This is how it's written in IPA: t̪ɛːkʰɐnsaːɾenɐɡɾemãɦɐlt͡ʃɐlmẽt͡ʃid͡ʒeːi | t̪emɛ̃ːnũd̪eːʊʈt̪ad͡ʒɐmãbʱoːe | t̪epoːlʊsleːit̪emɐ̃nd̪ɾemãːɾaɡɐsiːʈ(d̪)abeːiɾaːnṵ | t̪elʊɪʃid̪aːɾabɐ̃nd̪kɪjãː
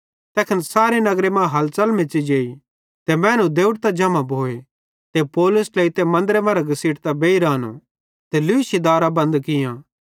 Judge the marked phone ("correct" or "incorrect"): incorrect